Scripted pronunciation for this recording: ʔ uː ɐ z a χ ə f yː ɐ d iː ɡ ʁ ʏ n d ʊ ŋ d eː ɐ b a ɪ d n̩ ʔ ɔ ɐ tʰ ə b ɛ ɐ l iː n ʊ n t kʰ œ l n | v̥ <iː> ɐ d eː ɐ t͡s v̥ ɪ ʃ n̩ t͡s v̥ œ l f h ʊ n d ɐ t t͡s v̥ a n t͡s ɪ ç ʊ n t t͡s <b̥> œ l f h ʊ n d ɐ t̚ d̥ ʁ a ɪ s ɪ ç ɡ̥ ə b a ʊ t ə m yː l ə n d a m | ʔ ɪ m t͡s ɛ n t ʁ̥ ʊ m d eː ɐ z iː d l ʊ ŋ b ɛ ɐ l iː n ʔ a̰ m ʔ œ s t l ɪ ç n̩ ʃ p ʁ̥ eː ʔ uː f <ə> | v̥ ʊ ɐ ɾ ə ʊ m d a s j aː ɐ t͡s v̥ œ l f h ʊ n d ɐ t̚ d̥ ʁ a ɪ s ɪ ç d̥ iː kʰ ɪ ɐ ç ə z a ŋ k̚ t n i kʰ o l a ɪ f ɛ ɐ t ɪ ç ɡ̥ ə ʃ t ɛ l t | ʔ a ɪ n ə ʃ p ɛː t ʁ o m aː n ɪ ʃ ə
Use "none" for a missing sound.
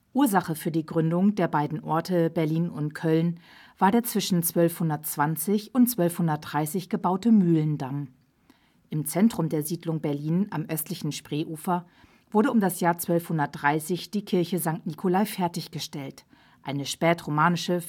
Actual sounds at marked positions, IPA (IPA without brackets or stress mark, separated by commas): aː, v̥, ɐ